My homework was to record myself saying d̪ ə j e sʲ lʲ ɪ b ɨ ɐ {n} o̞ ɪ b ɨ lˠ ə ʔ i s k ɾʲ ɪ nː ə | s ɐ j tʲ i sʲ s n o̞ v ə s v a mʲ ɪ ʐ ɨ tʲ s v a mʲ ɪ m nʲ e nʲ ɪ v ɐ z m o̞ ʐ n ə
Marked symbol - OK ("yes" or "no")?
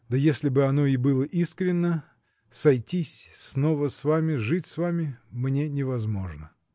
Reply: yes